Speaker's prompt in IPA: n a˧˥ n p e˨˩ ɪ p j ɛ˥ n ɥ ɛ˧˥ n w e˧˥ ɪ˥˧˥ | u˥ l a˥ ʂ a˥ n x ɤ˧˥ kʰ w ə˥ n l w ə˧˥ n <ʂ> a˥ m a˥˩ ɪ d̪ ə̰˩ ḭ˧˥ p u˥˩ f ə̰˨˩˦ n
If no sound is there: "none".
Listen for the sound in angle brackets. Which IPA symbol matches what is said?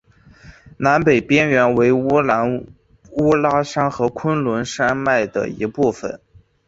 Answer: ʂ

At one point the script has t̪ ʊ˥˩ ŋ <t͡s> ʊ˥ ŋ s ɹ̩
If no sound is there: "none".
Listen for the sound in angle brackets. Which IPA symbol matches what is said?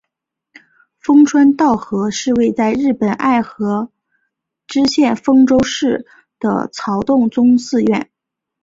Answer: t͡s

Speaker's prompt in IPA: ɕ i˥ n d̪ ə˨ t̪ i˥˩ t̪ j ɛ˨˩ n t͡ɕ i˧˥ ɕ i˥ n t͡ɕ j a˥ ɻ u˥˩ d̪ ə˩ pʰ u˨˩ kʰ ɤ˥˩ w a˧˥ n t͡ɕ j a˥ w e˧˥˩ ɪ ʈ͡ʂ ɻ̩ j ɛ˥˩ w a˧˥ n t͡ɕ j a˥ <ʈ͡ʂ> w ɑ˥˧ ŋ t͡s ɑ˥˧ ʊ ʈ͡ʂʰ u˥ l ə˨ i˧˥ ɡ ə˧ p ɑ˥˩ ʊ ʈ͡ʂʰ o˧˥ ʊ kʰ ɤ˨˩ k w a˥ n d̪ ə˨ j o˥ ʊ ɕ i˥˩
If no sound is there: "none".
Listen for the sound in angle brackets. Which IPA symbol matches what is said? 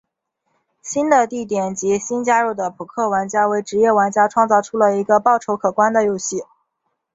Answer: ʈ͡ʂʰ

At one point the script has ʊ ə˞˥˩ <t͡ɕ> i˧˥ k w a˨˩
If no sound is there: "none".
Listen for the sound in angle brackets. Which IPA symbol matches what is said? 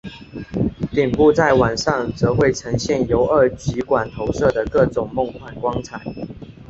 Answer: t͡ɕ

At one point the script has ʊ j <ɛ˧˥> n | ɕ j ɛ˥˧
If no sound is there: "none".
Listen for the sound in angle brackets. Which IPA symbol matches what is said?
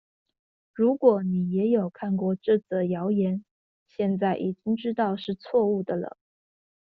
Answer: ɛ˧˥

